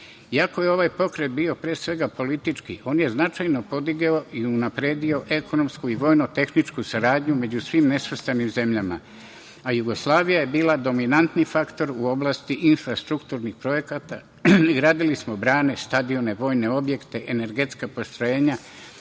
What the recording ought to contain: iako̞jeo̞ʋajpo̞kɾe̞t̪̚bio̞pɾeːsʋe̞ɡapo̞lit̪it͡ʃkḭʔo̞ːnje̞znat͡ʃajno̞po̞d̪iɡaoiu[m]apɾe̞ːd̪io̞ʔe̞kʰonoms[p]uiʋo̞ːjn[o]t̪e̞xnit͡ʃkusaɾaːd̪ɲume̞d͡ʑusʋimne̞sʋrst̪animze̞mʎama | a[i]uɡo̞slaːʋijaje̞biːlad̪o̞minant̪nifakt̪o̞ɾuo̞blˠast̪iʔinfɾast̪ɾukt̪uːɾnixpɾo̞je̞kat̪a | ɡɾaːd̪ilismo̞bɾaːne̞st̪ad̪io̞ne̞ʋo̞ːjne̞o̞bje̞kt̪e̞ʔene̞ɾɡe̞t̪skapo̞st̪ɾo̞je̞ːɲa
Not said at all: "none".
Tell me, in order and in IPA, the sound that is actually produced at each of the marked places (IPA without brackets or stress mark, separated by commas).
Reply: n, k, o, j